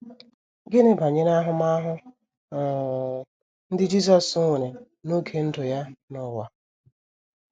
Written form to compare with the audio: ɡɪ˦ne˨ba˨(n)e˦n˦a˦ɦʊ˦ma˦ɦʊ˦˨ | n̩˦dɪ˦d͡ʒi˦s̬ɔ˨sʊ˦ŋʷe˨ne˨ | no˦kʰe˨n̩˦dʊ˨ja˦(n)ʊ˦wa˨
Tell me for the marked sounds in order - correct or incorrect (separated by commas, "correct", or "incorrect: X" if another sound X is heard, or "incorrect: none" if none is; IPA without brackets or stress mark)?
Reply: incorrect: ɲ, correct